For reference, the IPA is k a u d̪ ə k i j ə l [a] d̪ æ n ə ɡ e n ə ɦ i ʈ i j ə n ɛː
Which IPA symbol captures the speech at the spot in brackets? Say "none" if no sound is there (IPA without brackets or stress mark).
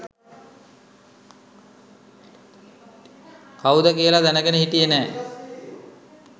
a